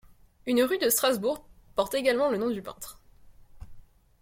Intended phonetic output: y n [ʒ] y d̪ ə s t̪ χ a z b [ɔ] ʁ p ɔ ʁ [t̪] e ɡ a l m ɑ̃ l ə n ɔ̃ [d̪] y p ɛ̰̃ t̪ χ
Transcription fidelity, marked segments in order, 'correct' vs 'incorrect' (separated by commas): incorrect, incorrect, correct, correct